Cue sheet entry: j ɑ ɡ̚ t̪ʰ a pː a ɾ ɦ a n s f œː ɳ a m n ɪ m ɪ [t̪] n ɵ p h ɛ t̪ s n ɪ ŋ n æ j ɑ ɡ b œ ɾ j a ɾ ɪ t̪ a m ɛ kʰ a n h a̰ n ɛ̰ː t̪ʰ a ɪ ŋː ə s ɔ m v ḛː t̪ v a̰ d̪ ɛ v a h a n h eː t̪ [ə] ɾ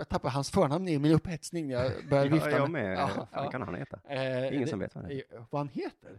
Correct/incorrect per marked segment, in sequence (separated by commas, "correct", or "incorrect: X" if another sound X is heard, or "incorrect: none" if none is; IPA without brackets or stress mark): incorrect: none, correct